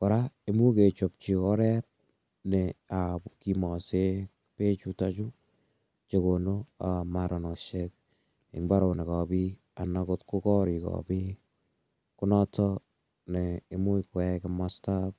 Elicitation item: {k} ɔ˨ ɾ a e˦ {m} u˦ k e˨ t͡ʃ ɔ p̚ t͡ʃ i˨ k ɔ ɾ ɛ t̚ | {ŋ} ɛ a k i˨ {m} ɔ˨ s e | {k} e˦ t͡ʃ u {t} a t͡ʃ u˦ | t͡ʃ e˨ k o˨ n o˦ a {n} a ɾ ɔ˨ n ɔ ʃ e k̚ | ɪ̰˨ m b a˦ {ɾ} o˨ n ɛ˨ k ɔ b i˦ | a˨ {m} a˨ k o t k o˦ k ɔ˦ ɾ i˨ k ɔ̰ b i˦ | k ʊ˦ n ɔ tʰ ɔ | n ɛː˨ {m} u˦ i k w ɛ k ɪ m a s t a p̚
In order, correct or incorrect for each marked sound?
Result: correct, correct, incorrect, correct, incorrect, correct, incorrect, correct, incorrect, correct

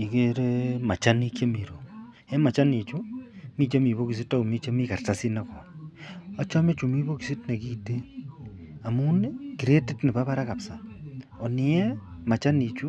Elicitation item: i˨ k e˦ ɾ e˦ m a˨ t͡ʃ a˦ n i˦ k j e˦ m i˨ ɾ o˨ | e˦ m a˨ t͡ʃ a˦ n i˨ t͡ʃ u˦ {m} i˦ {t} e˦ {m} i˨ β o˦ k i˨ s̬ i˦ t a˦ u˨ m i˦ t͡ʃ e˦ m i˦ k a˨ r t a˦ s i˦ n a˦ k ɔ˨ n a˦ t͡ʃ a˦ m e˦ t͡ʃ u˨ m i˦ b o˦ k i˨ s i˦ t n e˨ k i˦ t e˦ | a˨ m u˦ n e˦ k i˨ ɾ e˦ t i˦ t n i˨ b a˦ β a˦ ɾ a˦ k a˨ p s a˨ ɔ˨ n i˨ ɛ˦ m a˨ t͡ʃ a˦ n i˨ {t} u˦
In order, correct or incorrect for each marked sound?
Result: correct, incorrect, correct, incorrect

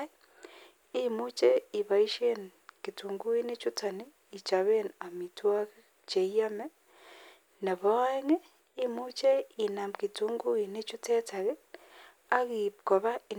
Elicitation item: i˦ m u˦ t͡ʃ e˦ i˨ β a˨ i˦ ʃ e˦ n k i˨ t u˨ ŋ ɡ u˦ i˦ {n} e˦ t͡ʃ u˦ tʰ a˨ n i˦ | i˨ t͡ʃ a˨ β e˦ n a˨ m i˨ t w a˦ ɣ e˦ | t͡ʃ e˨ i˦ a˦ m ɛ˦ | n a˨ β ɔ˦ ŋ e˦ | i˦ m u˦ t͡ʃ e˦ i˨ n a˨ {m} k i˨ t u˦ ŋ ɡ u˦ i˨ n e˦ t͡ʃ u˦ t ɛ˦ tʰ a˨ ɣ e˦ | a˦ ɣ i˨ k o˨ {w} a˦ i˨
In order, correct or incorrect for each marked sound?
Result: correct, correct, incorrect

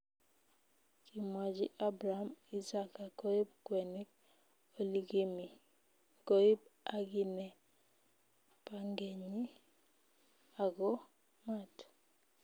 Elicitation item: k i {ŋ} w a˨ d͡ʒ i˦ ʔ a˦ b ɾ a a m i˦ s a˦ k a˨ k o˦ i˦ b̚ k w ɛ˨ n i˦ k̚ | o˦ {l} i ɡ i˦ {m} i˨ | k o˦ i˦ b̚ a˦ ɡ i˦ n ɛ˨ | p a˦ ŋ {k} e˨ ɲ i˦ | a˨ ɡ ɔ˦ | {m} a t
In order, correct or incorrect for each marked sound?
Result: incorrect, correct, correct, incorrect, correct

